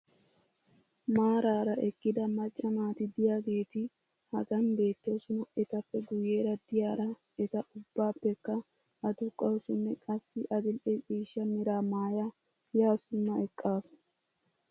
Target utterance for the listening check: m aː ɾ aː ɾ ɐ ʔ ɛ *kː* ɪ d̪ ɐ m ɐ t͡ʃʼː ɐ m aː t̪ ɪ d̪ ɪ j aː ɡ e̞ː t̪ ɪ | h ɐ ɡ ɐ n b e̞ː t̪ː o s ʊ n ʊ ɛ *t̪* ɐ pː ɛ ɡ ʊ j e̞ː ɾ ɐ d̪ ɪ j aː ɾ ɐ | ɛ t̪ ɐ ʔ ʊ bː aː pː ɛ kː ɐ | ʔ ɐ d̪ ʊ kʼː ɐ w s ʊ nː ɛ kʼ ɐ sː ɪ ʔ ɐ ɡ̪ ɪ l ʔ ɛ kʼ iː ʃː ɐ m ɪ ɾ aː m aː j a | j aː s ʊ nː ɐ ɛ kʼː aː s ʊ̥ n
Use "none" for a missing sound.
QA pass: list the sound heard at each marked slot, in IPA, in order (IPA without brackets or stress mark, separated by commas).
kː, t̪